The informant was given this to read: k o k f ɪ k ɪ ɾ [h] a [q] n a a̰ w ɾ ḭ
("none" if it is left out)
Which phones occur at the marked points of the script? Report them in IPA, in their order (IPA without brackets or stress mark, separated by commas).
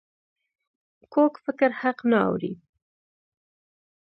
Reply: h, q